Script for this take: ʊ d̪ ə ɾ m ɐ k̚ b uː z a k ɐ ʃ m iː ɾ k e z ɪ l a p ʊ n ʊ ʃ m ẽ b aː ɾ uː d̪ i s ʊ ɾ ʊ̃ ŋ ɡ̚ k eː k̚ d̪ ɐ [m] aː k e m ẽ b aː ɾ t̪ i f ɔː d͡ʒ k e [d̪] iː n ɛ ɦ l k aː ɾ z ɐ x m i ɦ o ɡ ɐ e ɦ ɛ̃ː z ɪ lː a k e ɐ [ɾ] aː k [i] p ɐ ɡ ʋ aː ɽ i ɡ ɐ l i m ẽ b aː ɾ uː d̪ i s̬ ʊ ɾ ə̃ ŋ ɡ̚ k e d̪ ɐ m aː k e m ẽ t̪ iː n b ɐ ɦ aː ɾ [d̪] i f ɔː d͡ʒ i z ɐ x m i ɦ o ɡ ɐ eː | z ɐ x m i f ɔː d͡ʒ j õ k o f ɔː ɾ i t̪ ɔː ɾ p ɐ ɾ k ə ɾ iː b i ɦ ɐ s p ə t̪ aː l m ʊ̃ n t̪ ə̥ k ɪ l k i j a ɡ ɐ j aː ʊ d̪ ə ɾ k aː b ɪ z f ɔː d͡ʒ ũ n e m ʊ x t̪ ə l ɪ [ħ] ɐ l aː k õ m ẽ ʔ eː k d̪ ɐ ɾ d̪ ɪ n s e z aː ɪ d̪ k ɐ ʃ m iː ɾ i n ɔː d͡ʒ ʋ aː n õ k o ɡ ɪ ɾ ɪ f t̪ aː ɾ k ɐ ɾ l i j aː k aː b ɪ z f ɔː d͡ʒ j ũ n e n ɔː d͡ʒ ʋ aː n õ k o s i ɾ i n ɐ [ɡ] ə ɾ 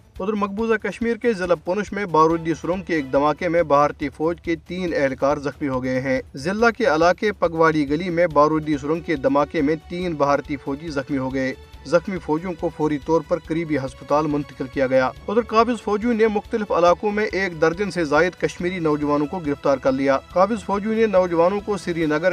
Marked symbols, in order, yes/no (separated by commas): yes, no, no, no, no, no, yes